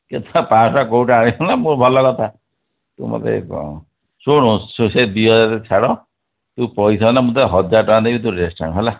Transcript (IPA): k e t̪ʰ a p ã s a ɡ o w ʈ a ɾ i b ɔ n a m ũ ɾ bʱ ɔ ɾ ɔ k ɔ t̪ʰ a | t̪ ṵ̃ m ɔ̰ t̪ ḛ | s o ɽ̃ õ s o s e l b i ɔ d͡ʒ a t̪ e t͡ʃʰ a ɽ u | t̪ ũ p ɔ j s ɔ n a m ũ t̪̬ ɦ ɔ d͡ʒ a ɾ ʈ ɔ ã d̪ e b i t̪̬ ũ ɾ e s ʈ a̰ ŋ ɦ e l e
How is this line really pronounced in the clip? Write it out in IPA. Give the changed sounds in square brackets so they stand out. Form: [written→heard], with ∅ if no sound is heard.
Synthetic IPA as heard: k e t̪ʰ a p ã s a [ɡ→k] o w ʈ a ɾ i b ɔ n a m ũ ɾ bʱ ɔ [ɾ→l] ɔ k ɔ t̪ʰ a | t̪ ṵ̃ m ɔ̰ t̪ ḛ | s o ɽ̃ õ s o s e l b i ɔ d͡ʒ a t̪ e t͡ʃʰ a ɽ [u→ɔ] | t̪ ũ p ɔ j s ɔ n a m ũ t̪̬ ɦ ɔ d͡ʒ a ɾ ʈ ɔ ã d̪ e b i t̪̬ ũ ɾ e s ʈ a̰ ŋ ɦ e l [e→a]